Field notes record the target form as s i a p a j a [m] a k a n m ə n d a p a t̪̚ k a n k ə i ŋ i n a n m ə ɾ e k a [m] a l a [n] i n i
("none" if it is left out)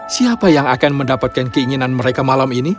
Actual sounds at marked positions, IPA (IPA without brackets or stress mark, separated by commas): ŋ, m, m